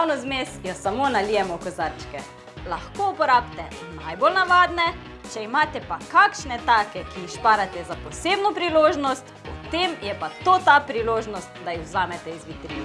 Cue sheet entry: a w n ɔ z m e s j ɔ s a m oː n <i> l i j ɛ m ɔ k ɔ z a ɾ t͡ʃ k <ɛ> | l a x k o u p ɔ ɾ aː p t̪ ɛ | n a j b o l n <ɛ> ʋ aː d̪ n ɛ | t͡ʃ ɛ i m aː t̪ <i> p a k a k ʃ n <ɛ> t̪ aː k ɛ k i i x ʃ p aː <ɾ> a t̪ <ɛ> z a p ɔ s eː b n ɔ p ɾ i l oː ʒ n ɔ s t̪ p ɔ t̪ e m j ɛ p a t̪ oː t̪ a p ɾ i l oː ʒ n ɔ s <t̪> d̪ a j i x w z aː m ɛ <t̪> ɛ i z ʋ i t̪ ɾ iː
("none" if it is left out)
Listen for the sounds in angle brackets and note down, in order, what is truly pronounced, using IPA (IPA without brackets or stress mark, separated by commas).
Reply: a, ɛ, a, ɛ, ɛ, ɾ, ɛ, t̪, t̪